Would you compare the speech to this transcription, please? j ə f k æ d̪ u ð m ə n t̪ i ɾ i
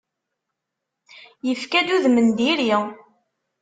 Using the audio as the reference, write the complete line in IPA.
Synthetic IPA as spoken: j ə f k æ d̪ u ð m ə n d̪ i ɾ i